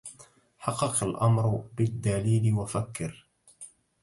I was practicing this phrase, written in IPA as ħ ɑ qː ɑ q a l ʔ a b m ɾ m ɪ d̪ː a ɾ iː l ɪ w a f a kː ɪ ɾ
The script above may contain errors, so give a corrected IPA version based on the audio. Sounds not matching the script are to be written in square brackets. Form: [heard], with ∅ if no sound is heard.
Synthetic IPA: ħ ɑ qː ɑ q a l ʔ a [∅] m ɾ [b] ɪ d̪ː a [l] iː l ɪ w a f a kː ɪ ɾ